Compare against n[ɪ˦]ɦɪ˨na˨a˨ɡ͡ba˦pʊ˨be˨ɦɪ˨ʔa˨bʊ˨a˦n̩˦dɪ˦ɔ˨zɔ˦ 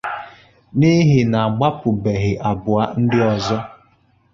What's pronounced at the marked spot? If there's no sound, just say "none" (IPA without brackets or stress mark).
i˦